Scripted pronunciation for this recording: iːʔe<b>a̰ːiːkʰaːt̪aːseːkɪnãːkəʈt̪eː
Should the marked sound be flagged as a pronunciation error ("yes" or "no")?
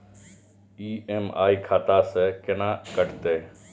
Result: yes